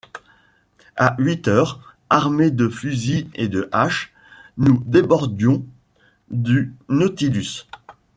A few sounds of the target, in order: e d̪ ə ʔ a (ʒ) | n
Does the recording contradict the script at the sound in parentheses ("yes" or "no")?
yes